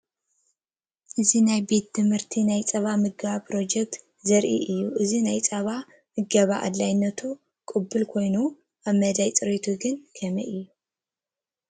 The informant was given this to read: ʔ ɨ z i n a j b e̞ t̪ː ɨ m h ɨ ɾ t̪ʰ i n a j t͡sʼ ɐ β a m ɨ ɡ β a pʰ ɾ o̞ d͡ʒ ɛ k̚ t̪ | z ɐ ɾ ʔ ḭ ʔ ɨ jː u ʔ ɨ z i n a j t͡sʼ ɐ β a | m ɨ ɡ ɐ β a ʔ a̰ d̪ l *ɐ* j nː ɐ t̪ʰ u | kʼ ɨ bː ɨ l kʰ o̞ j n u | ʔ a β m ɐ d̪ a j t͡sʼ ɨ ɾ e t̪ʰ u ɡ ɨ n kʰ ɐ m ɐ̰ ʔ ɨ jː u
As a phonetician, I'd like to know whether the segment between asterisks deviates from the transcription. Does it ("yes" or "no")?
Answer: yes